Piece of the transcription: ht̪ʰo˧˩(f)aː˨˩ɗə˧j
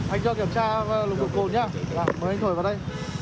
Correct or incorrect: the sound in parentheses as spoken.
incorrect: v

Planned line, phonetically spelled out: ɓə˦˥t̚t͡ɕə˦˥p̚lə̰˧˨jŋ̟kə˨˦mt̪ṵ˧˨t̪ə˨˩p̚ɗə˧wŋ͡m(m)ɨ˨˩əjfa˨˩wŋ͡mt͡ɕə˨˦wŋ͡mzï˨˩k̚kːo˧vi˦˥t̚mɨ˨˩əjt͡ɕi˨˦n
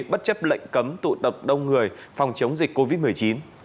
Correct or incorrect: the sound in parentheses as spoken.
incorrect: ŋ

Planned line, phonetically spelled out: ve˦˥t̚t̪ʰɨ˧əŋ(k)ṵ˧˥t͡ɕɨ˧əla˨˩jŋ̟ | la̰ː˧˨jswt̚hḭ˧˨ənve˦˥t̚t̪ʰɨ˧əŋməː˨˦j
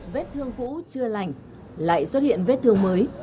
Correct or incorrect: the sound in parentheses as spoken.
correct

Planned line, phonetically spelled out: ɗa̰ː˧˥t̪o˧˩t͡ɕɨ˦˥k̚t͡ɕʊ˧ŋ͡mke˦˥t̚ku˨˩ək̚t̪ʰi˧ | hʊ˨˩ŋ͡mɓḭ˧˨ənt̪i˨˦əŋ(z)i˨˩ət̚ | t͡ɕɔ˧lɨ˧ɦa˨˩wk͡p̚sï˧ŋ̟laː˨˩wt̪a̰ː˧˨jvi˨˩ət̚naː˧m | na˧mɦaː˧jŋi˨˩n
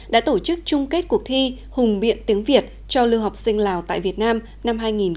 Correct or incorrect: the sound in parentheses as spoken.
incorrect: v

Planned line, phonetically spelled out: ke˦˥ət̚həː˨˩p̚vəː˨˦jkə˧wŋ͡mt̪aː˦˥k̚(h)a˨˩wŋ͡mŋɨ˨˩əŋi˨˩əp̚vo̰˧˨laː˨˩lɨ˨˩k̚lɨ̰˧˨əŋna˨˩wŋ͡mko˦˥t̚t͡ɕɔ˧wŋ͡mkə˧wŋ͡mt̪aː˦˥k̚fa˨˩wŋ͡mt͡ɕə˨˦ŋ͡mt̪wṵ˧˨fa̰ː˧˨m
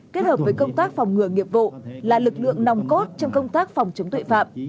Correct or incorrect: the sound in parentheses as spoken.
incorrect: f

